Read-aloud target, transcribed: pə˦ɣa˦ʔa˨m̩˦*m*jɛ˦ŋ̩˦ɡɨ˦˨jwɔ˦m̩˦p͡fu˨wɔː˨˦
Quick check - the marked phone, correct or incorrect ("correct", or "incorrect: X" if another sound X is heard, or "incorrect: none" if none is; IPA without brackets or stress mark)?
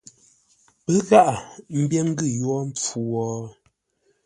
incorrect: b